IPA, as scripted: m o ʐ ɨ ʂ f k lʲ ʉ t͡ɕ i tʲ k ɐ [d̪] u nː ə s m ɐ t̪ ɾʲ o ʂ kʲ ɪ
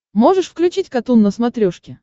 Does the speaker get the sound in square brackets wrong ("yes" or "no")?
yes